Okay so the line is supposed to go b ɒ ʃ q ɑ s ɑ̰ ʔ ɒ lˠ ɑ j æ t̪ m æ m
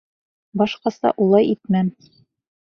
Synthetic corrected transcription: b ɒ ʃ q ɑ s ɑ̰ ʔ u lˠ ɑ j i t̪ m æ m